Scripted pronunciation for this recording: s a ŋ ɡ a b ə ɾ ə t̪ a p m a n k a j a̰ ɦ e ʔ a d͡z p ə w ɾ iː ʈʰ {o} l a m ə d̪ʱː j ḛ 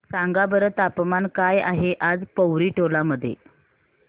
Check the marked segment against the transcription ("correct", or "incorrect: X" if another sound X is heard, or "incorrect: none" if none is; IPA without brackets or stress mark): correct